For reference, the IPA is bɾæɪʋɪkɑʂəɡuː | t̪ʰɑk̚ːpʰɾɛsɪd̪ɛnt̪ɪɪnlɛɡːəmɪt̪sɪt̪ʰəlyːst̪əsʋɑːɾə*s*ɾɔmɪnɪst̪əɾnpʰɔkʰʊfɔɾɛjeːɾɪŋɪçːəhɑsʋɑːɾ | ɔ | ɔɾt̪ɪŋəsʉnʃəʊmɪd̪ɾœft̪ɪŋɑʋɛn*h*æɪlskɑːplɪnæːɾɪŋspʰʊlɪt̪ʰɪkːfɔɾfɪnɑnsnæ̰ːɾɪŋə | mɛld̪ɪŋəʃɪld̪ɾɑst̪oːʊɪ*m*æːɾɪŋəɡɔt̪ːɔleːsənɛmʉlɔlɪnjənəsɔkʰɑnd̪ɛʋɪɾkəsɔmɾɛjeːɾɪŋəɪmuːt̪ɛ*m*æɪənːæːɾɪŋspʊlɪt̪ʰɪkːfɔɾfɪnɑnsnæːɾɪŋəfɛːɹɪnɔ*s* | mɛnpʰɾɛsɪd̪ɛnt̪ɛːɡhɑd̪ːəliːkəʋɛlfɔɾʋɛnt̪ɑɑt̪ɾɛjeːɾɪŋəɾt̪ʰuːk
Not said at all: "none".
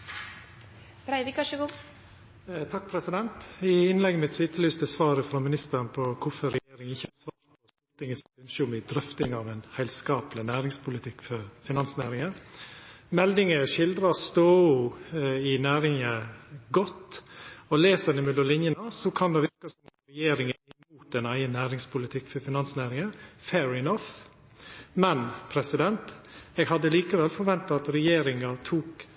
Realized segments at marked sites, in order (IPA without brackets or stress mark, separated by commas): f, h, n, n, f